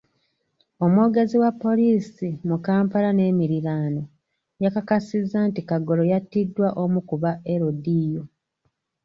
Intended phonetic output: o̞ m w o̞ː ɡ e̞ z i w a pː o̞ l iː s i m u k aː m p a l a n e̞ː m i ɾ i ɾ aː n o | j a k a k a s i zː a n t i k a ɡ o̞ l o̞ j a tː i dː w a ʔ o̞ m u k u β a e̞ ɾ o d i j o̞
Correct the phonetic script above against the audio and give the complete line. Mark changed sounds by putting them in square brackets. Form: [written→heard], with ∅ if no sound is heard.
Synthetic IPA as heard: o̞ m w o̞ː ɡ e̞ z i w a pː o̞ l iː s i m u k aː m p a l a n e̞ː m i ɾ i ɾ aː n o | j a k a k a s i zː a n t i k a ɡ o̞ l o̞ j a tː i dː w a ʔ o̞ m u k u β a e̞ ɾ o d i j o̞